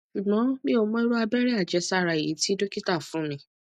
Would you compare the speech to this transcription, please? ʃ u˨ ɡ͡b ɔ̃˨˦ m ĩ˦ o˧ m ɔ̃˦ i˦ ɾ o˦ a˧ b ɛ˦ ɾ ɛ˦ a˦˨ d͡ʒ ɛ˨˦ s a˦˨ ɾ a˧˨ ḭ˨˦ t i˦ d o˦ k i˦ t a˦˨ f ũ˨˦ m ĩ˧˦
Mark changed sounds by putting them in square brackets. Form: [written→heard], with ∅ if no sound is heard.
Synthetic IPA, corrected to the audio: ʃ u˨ ɡ͡b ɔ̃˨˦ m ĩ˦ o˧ m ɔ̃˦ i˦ ɾ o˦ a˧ b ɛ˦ ɾ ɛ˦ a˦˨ d͡ʒ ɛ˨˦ s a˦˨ ɾ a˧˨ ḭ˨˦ t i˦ d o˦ k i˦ t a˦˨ f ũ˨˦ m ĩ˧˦